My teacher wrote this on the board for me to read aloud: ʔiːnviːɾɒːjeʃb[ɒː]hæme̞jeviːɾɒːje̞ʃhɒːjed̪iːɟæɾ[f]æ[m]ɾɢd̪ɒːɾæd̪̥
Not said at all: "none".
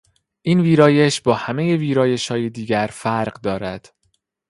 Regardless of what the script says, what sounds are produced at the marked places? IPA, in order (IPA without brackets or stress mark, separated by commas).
ɒː, f, none